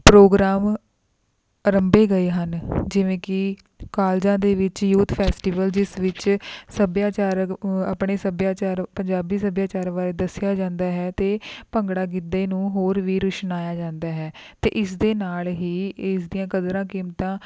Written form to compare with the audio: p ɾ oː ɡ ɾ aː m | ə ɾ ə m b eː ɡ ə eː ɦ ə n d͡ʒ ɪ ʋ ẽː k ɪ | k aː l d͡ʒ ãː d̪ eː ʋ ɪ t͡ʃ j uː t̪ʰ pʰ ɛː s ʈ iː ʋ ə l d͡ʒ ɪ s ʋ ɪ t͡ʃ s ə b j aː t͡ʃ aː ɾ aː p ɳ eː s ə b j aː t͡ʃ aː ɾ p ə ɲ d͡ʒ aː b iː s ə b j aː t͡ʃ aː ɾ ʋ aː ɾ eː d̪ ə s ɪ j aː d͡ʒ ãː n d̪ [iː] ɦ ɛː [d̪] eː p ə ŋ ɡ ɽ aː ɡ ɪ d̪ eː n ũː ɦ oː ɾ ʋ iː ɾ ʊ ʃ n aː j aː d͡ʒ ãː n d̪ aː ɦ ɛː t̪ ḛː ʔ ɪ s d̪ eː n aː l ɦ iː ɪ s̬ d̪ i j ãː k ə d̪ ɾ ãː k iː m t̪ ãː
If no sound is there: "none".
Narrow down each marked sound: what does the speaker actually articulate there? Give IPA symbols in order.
aː, t̪

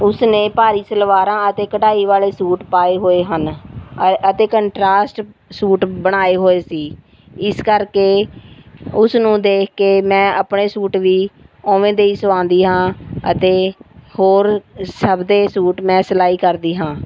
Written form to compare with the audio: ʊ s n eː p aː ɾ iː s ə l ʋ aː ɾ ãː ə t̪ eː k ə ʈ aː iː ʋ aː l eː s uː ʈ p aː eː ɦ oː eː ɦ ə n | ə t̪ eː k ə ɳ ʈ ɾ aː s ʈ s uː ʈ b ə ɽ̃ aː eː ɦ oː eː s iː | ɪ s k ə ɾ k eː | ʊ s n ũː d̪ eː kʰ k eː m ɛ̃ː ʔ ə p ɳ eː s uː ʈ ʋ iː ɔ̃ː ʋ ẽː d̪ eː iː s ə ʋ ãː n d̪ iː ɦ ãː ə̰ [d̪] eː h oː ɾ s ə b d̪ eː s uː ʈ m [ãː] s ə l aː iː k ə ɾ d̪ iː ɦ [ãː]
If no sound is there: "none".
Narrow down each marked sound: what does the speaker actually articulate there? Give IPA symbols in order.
t̪, ɛ̃ː, ãː

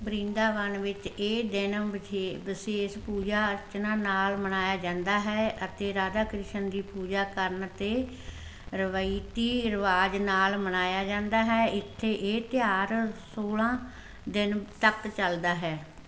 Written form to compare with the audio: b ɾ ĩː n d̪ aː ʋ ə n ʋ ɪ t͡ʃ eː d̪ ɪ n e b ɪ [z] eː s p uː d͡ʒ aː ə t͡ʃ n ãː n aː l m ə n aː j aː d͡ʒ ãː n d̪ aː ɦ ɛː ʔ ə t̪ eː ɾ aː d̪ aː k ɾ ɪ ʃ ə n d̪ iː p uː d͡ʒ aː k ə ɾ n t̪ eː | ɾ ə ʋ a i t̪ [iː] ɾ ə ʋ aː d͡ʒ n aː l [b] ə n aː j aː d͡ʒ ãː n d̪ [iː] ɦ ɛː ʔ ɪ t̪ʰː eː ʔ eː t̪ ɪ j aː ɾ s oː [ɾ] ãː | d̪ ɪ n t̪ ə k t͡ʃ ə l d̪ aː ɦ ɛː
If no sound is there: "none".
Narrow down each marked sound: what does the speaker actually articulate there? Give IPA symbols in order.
s, iː, m, aː, l

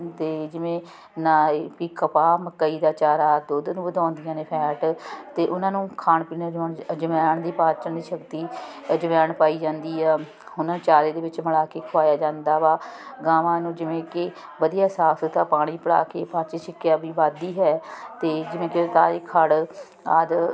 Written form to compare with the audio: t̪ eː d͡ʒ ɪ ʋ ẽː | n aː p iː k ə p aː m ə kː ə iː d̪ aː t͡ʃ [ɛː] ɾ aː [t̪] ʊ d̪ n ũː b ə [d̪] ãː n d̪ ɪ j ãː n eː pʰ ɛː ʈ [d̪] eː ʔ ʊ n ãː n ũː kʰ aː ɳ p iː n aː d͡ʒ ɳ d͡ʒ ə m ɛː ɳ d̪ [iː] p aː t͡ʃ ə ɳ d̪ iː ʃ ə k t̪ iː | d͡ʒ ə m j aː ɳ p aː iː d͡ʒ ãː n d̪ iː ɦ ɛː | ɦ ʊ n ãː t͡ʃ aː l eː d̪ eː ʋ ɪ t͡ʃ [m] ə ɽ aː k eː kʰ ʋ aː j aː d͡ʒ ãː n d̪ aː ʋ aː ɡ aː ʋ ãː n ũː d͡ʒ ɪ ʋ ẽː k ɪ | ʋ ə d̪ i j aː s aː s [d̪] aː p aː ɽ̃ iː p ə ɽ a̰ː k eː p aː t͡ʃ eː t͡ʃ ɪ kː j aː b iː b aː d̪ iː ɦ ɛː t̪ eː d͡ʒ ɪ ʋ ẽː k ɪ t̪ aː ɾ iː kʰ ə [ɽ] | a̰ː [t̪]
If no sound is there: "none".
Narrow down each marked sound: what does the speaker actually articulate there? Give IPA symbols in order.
aː, d̪, d̪, t̪, iː, m, t̪, ɽ, d̪

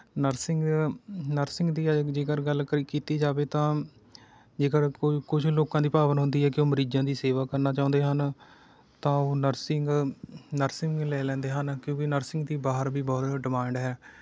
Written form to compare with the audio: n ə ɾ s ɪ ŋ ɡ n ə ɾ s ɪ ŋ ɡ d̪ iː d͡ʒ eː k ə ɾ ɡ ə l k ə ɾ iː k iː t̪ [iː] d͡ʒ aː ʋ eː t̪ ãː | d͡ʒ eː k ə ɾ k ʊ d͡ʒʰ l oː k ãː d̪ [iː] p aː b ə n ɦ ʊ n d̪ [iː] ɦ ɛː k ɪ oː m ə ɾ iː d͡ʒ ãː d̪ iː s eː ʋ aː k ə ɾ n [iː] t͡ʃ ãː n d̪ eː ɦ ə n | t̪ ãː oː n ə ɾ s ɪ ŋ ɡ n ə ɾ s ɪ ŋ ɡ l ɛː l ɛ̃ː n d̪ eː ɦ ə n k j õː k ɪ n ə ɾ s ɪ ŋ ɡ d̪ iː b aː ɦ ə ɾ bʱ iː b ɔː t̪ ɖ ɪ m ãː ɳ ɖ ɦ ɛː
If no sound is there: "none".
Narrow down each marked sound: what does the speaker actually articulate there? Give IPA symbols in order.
iː, iː, iː, aː

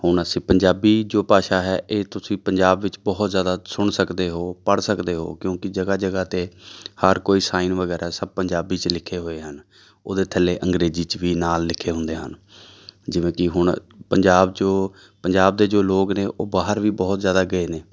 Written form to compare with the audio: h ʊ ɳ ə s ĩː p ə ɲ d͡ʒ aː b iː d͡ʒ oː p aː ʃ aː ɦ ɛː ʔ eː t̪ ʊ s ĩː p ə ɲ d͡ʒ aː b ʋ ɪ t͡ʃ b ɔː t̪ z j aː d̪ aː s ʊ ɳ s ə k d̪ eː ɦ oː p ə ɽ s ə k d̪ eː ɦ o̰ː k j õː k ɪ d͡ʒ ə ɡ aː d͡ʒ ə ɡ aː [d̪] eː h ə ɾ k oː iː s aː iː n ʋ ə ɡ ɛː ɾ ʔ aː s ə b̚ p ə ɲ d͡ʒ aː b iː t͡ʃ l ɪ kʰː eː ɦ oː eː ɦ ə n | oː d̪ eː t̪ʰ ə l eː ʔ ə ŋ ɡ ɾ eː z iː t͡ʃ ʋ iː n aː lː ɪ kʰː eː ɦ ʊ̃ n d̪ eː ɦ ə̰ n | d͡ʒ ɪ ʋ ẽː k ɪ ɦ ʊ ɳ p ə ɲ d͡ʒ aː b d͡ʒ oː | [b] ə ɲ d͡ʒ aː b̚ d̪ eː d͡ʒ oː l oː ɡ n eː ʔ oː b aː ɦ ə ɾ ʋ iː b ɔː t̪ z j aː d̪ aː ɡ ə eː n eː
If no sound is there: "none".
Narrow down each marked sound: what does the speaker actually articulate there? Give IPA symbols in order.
t̪, p

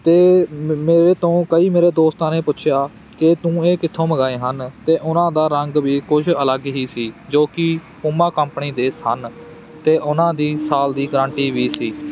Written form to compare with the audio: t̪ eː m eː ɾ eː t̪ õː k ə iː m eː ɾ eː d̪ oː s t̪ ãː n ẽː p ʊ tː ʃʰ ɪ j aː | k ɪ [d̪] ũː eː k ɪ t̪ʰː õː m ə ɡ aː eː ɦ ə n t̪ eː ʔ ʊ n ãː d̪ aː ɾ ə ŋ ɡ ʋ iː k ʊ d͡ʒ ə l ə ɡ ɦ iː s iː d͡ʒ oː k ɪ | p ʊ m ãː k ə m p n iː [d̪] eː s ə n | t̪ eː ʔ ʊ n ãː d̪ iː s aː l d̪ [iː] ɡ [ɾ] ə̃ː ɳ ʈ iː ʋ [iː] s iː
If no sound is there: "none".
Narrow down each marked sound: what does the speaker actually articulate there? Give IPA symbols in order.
t̪, d̪, iː, ɾ, iː

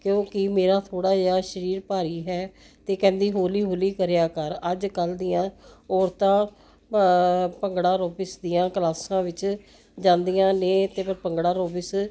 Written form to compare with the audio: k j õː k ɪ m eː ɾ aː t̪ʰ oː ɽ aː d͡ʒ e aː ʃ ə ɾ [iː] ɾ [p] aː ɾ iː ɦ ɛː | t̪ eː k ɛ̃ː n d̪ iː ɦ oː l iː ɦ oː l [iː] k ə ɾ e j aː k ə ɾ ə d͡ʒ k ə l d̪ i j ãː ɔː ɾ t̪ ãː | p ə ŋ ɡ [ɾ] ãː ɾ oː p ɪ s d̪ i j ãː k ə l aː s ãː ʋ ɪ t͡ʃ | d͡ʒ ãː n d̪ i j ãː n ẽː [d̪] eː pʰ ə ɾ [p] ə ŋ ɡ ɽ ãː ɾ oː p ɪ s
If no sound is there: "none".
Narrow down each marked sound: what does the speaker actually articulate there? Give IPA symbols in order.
iː, p, iː, ɽ, t̪, p

